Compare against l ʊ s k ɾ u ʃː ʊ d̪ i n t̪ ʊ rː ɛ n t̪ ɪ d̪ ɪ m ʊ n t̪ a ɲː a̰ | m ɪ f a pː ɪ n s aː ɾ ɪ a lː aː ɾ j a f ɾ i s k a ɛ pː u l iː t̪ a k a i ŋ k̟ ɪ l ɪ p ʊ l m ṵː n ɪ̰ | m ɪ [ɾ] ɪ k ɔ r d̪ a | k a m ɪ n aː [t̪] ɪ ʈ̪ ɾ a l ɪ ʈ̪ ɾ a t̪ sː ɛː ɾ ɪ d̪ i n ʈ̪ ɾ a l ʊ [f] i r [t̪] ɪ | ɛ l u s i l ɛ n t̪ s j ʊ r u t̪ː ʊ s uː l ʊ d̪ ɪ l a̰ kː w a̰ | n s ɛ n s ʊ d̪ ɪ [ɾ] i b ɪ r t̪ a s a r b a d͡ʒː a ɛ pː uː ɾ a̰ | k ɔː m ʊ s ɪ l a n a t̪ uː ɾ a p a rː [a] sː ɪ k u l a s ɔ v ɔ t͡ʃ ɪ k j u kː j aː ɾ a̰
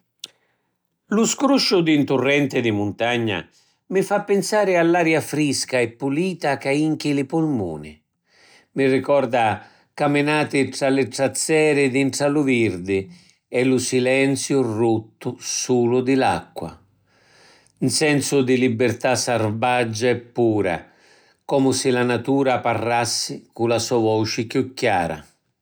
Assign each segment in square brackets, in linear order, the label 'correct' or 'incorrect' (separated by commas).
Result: incorrect, correct, incorrect, incorrect, incorrect, correct